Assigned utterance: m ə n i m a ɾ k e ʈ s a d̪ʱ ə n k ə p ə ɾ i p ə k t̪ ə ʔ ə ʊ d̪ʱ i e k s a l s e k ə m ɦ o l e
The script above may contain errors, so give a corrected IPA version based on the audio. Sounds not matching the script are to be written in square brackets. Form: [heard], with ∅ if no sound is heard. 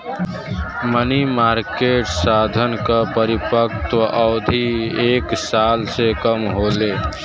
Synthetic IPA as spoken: m ə n i m a ɾ k e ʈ s a d̪ʱ ə n k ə p ə ɾ i p ə k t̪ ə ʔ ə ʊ d̪ʱ i e k s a l s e k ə m ɦ o l e